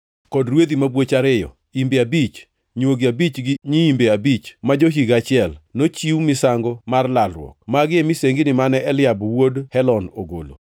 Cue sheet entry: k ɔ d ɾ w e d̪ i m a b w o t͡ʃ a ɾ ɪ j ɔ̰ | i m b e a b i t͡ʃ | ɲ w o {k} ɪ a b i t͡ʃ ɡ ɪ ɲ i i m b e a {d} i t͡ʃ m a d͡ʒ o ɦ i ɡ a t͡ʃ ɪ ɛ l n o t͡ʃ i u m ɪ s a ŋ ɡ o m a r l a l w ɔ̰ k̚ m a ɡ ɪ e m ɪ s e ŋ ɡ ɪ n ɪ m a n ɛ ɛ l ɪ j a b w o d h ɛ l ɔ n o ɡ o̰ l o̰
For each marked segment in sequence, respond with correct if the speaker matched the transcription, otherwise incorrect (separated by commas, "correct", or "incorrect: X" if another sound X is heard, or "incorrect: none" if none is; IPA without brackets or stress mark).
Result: incorrect: ɡ, incorrect: b